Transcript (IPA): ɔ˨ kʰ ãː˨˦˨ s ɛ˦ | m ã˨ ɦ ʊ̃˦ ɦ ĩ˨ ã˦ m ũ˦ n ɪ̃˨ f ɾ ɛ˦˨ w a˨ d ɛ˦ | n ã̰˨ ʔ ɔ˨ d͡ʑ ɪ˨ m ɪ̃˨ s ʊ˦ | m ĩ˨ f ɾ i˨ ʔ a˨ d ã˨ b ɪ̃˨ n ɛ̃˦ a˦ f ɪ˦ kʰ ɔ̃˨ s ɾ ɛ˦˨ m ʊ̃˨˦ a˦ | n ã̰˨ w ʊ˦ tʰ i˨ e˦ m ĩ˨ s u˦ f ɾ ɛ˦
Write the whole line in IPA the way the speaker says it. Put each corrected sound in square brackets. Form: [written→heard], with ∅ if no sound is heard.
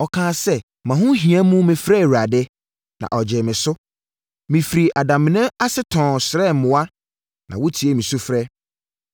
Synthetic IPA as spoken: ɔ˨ kʰ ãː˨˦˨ s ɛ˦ | m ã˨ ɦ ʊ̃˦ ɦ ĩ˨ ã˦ m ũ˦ [n→m] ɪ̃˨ f ɾ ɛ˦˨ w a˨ d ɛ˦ | n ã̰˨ ʔ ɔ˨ d͡ʑ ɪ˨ m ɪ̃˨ s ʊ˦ | m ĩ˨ f ɾ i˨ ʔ a˨ d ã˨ [b→m] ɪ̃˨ n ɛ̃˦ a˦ [f→s] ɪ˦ [kʰ→tʰ] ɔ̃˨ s ɾ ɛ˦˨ m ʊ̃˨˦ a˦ | n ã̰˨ w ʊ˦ tʰ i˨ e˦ m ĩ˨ s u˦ f ɾ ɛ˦

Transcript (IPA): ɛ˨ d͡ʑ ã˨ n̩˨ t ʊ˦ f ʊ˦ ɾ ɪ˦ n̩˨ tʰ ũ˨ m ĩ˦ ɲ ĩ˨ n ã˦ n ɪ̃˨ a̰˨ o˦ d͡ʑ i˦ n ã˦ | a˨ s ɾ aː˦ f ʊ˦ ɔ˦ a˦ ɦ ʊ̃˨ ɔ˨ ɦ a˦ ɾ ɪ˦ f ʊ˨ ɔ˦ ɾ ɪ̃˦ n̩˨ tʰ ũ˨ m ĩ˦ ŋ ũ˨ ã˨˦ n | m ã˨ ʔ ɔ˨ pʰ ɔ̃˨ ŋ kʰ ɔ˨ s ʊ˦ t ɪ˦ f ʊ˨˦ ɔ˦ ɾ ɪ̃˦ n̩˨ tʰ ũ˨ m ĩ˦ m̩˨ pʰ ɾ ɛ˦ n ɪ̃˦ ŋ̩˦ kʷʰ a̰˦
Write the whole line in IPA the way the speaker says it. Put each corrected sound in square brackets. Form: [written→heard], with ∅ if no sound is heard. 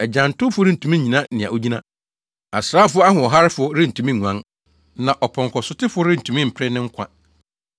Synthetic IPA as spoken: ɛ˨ d͡ʑ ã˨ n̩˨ t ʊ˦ f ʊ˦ ɾ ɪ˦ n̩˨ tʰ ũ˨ m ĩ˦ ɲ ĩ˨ n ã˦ n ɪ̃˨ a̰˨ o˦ d͡ʑ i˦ n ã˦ | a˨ s ɾ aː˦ f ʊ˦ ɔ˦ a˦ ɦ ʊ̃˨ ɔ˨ ɦ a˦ ɾ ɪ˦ f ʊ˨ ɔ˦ ɾ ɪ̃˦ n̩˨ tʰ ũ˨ m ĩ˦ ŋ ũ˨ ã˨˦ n | [m→n] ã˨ ʔ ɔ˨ pʰ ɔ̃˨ ŋ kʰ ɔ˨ s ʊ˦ t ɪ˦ f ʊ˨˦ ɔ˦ ɾ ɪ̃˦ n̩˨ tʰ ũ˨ m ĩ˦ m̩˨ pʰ ɾ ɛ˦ n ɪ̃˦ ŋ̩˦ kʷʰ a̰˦

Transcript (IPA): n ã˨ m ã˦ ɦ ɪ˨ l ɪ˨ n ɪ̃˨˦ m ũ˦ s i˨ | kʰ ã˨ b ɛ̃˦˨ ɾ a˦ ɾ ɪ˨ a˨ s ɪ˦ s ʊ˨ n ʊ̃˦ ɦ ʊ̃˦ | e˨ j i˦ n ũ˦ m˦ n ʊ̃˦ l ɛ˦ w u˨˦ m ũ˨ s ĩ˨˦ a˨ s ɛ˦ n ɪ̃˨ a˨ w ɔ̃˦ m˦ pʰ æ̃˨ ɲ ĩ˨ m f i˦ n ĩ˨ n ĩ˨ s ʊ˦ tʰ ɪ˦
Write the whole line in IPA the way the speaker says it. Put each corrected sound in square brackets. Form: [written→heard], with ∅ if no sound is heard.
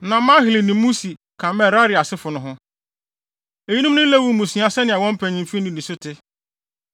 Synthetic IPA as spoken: n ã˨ m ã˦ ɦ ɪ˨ l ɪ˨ n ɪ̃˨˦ m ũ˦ s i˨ | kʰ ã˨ [b→m] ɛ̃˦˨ ɾ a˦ ɾ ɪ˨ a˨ s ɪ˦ [s→f] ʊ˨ n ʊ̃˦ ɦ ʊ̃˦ | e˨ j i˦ n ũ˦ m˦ n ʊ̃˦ l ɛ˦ w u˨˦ m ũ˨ s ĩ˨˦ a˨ s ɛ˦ n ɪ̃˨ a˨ w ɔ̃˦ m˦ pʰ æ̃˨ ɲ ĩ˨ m f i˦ n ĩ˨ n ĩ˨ s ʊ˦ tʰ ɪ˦

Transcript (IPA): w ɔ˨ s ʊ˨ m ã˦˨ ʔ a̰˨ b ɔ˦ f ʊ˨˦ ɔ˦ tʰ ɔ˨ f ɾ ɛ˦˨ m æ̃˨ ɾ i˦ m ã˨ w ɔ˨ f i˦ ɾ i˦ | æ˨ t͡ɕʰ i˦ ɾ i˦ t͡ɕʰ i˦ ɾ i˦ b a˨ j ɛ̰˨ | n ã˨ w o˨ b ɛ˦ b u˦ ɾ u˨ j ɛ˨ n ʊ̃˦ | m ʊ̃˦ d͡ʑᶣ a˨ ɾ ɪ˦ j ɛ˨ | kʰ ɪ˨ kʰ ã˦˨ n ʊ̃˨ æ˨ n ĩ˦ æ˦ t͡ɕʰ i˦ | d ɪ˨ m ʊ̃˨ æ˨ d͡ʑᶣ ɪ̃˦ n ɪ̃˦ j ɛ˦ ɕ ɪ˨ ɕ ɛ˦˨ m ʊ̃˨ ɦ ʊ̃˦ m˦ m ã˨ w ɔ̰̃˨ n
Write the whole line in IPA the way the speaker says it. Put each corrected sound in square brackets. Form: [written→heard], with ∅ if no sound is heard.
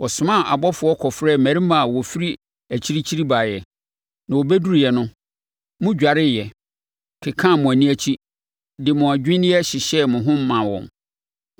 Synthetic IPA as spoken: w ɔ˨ s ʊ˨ m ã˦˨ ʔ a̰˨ b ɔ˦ f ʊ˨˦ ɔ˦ [tʰ→kʰ] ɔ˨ f ɾ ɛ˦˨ m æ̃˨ ɾ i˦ m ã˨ w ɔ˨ f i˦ ɾ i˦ | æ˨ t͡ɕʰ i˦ ɾ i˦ t͡ɕʰ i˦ ɾ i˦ b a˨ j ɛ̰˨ | n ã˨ w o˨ b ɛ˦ [b→d] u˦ ɾ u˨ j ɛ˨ n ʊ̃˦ | m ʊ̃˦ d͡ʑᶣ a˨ ɾ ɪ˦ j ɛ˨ | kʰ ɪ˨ kʰ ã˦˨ [n→m] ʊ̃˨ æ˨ n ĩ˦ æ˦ t͡ɕʰ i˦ | d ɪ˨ m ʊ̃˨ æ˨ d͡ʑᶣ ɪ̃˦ n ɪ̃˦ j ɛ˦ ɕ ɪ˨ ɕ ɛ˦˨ m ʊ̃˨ ɦ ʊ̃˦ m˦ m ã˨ w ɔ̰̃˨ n

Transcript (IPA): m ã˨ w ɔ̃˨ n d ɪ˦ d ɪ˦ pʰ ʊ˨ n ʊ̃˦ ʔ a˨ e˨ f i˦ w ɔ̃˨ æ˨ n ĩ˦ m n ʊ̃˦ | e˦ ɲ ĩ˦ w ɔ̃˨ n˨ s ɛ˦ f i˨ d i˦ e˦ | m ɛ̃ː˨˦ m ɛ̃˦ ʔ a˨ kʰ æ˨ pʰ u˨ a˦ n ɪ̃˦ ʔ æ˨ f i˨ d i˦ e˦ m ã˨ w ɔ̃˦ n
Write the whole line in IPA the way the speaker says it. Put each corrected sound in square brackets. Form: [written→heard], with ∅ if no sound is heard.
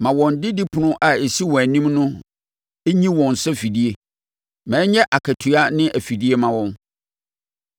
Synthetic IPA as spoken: m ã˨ w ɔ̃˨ n d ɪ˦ d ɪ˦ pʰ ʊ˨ n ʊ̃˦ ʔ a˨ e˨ [f→s] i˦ w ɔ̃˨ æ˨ n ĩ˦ m n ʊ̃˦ | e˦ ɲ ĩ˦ w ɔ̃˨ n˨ s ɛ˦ f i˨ d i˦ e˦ | m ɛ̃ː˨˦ [m→ɲ] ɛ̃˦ ʔ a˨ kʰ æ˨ [pʰ→tʰ] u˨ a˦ n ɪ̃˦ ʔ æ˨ f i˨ d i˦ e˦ m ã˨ w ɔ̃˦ n

